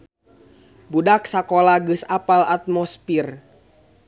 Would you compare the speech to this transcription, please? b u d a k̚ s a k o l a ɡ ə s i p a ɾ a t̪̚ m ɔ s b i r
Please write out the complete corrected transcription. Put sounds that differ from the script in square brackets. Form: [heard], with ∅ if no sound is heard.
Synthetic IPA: b u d a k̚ s a k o l a ɡ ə s [a] p a [l] a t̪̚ m ɔ s [p] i r